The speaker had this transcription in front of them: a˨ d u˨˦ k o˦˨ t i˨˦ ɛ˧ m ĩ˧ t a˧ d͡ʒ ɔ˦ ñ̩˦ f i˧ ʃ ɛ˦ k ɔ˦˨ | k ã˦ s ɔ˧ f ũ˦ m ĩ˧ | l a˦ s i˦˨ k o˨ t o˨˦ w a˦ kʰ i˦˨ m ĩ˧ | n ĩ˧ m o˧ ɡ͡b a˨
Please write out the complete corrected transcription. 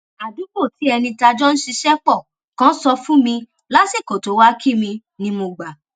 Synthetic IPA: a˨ d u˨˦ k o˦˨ t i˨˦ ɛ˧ n ĩ˧ t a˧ d͡ʒ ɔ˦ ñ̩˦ ʃ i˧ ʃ ɛ˦ k͡p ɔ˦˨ | k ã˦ s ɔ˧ f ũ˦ m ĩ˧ | l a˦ s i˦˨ k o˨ t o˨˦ w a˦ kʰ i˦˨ m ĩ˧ | n ĩ˧ m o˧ ɡ͡b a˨